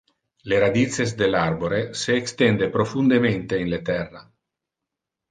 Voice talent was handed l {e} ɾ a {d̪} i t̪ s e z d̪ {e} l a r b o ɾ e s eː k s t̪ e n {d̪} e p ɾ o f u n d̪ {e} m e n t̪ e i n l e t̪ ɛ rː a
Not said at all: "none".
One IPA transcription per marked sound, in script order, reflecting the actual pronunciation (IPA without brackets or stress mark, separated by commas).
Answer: e, d̪, e, d̪, e